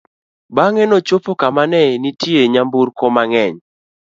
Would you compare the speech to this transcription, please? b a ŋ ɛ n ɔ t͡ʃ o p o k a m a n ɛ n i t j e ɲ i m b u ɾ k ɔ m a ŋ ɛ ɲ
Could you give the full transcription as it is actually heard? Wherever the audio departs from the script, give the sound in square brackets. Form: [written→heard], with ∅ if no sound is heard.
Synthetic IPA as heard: b a ŋ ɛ n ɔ t͡ʃ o p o k a m a n ɛ n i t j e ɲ [i→a] m b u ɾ k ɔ m a ŋ ɛ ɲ